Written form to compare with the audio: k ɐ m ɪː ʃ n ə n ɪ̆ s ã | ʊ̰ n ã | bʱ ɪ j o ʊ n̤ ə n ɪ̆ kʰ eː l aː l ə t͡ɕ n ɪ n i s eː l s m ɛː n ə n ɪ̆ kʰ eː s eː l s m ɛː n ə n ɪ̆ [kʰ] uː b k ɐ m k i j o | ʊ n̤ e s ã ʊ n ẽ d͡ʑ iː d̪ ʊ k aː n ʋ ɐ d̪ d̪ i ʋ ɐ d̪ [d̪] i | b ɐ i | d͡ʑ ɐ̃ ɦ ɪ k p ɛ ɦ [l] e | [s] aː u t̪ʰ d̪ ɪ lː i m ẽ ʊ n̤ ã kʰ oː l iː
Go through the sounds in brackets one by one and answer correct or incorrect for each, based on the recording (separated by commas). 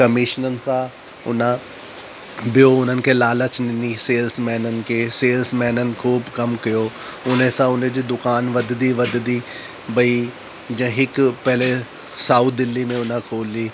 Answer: correct, correct, correct, correct